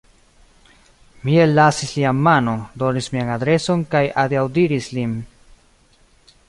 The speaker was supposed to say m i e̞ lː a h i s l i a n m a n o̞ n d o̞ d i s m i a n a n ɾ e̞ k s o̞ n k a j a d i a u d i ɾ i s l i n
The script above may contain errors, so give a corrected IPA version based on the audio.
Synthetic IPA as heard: m i e̞ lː a s i s l i a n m a n o̞ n d o̞ n i s m i a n a d ɾ e̞ s o̞ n k a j a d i a w d i ɾ i s l i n